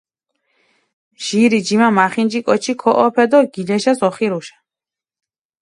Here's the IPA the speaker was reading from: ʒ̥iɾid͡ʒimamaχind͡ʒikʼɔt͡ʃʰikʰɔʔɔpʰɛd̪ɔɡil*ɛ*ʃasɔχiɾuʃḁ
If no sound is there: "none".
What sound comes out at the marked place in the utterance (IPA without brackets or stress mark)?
ɛ